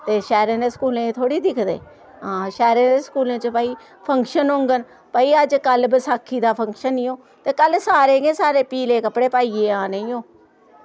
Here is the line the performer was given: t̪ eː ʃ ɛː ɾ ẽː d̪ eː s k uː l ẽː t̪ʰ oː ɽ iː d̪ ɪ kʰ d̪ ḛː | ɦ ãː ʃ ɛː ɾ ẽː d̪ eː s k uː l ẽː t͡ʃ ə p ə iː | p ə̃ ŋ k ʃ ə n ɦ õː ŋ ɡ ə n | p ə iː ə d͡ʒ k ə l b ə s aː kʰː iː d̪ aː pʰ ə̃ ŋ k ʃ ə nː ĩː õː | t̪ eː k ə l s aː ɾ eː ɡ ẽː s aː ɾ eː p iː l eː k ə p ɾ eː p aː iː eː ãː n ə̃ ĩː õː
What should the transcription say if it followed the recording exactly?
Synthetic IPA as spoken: t̪ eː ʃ ɛː ɾ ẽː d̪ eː s k uː l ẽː t̪ʰ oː ɽ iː d̪ ɪ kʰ d̪ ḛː | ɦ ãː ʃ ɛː ɾ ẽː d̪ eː s k uː l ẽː t͡ʃ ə p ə iː | pʰ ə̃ ŋ k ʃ ə n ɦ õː ŋ ɡ ə n | p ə iː ə d͡ʒ k ə l b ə s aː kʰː iː d̪ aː pʰ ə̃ ŋ k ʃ ə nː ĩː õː | t̪ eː k ə l s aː ɾ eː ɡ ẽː s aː ɾ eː p iː l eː k ə p ɽ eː p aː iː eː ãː n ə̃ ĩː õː